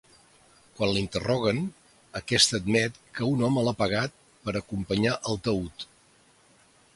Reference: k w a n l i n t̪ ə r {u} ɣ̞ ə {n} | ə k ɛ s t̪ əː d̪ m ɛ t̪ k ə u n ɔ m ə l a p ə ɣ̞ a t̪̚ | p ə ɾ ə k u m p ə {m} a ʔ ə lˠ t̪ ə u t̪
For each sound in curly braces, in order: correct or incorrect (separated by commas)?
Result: incorrect, correct, incorrect